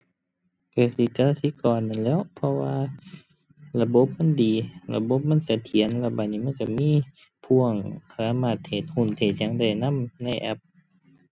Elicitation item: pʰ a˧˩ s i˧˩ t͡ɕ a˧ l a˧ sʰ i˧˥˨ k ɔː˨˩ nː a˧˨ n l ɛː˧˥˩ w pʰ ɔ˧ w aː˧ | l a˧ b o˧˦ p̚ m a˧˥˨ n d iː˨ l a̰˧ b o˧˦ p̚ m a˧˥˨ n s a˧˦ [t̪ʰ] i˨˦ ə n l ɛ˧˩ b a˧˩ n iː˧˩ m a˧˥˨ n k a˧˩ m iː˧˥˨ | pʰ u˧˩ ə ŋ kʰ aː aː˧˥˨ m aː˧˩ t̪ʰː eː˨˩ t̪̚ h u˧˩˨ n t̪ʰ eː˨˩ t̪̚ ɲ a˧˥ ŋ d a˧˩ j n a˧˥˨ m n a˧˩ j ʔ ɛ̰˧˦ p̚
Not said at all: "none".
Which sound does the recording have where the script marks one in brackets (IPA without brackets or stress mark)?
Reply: t̪ʰ